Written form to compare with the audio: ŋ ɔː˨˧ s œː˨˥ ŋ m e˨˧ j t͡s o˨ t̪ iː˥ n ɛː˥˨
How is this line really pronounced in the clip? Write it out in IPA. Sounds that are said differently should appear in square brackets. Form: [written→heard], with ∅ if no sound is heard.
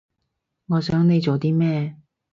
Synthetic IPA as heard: ŋ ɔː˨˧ s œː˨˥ ŋ [m→n] e˨˧ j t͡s o˨ t̪ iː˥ [n→m] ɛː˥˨